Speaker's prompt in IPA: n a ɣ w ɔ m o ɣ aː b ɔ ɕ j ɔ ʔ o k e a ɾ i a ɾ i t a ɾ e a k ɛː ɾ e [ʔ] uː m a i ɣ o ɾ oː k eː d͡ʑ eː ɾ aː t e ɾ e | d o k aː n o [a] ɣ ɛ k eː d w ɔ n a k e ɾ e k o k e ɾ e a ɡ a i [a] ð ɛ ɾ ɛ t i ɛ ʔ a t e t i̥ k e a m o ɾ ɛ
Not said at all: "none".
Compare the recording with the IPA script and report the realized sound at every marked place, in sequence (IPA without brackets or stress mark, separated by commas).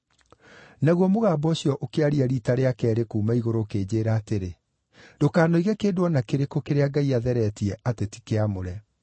k, i, a